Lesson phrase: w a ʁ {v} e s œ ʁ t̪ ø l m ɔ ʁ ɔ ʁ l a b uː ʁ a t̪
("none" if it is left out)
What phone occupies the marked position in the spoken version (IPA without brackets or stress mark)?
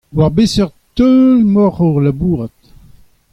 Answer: b